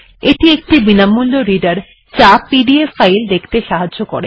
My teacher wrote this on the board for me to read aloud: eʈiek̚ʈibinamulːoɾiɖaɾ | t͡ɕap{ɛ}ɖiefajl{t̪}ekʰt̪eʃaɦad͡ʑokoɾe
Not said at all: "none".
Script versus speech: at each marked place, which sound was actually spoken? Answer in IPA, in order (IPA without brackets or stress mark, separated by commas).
i, d̪